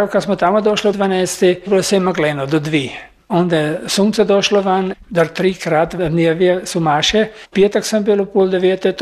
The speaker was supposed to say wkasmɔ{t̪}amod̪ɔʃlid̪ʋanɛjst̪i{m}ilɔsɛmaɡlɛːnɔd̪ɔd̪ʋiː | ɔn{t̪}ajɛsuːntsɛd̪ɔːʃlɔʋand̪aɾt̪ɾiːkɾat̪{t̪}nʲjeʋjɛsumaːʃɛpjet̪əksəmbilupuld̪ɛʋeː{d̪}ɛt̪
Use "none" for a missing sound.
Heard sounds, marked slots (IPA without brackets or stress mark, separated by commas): t̪, b, d̪, d̪, t̪